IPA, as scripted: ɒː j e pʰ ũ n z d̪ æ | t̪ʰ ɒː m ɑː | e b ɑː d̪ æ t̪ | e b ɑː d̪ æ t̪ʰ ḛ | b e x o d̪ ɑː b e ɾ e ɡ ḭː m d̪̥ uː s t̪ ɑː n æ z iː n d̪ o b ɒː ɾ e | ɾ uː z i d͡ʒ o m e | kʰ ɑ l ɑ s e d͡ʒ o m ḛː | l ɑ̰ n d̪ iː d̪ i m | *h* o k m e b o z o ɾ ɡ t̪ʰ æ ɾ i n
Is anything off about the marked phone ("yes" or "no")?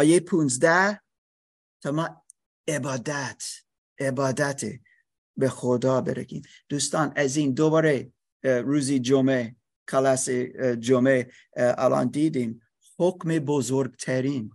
no